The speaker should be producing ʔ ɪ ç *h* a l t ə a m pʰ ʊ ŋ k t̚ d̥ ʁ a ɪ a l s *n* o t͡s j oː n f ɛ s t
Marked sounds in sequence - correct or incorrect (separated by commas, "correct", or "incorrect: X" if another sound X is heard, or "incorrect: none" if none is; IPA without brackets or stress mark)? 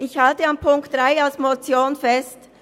correct, incorrect: m